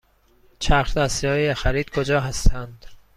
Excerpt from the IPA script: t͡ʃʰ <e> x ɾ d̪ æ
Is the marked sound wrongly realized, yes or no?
yes